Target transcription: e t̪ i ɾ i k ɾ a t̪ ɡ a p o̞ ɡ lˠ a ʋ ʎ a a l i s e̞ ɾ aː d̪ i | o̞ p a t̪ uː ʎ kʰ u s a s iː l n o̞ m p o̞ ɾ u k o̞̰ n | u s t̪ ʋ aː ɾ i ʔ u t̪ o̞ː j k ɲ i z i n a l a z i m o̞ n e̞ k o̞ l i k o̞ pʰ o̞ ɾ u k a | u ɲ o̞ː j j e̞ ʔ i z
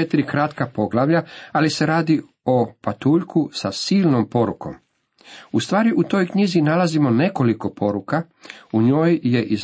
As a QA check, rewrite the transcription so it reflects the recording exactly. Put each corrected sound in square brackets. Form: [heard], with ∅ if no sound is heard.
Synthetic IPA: e t̪ i ɾ i k ɾ a t̪ [k] a p o̞ ɡ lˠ a ʋ ʎ a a l i s e̞ ɾ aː d̪ i | o̞ p a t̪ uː ʎ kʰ u s a s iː l n o̞ m p o̞ ɾ u k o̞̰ [m] | u s t̪ ʋ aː ɾ i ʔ u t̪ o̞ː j k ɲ i z i n a l a z i m o̞ n e̞ k o̞ l i k o̞ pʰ o̞ ɾ u k a | u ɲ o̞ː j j e̞ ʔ i z